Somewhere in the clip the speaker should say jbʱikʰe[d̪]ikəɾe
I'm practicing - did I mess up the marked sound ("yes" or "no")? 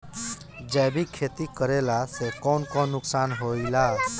yes